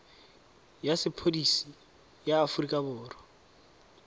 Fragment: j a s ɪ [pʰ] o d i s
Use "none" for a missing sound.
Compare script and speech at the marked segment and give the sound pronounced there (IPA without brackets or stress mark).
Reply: pʰ